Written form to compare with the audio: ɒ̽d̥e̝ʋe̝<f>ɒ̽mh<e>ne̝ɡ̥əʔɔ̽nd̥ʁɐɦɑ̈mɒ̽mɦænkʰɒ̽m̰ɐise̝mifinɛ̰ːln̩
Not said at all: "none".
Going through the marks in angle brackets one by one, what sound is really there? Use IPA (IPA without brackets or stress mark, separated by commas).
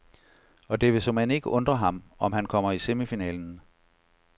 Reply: s, æ